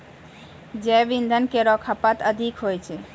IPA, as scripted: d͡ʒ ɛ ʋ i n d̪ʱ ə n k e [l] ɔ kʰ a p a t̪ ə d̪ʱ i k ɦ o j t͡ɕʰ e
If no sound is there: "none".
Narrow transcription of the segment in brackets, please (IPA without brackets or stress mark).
ɾ